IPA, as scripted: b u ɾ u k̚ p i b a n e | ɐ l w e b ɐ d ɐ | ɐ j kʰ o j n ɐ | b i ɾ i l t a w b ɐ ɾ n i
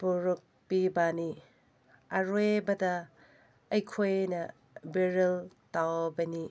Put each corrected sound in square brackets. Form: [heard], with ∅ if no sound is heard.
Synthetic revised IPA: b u ɾ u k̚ p i b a n [i] | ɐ [ɾ] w e b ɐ d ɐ | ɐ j kʰ o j n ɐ | b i ɾ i l t a w b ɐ [∅] n i

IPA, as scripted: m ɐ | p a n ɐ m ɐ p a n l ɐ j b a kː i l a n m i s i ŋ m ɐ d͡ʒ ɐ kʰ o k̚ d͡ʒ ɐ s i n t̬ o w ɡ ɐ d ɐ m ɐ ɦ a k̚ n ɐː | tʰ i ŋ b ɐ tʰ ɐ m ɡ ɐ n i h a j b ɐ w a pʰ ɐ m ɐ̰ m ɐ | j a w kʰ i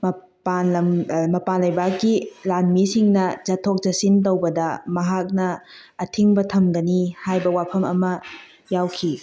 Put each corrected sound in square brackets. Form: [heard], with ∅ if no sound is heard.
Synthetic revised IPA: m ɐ | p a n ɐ m ɐ p a n l ɐ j b a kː i l a n m i s i ŋ [n] ɐ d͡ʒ ɐ [tʰ] o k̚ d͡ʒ ɐ s i n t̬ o w [b] ɐ d ɐ m ɐ ɦ a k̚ n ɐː | tʰ i ŋ b ɐ tʰ ɐ m ɡ ɐ n i h a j b ɐ w a pʰ ɐ m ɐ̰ m ɐ | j a w kʰ i

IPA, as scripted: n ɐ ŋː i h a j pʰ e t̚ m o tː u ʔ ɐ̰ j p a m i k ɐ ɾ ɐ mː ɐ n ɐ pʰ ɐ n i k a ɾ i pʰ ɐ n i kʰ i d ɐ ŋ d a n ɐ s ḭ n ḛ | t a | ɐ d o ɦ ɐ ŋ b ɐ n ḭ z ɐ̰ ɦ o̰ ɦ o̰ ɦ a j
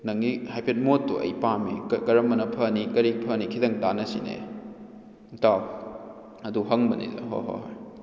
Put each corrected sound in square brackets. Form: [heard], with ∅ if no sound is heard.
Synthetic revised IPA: n ɐ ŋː i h a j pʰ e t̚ m o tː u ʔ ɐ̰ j p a m i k ɐ ɾ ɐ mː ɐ n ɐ pʰ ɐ n i k [ɐ] ɾ i pʰ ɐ n i kʰ i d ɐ ŋ d a n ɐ s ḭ n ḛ | t a | ɐ d [u] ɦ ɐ ŋ b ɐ n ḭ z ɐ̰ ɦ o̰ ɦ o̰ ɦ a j

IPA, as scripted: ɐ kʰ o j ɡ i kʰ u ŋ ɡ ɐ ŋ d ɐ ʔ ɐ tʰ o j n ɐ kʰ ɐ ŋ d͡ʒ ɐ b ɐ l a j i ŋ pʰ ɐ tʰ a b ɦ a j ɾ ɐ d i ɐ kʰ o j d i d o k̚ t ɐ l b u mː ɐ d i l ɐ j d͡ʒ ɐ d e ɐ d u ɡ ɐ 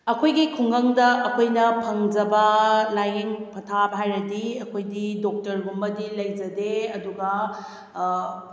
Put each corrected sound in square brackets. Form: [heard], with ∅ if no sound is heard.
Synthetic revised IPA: ɐ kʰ o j ɡ i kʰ u ŋ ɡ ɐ ŋ d ɐ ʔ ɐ [kʰ] o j n ɐ [pʰ] ɐ ŋ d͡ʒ ɐ b ɐ l a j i ŋ pʰ ɐ tʰ a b ɦ a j ɾ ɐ d i ɐ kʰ o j d i d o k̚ t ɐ [ɾ] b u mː ɐ d i l ɐ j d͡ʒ ɐ d e ɐ d u ɡ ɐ

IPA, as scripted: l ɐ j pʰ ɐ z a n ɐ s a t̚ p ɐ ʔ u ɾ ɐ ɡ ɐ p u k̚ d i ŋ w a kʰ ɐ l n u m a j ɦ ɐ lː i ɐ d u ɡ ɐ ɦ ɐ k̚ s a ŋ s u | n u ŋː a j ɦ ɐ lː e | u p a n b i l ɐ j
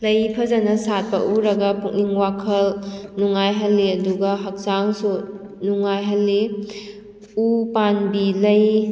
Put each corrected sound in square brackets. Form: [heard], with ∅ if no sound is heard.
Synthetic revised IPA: l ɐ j pʰ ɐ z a n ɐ s a t̚ p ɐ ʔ u ɾ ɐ ɡ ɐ p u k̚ [n] i ŋ w a kʰ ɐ l n u [ŋ] a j ɦ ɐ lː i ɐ d u ɡ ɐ ɦ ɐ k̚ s a ŋ s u | n u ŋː a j ɦ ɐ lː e | u p a n b i l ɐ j

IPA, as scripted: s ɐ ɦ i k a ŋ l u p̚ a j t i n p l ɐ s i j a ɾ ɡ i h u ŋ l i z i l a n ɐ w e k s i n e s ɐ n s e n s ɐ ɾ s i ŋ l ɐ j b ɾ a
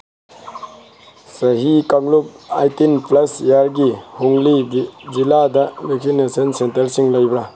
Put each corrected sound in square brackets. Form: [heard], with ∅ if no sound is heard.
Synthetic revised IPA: s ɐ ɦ i k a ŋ l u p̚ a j t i n p l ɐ s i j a ɾ ɡ i h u ŋ l i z i l a [d] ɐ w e k s i n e s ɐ n s e n [t] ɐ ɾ s i ŋ l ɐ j b ɾ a

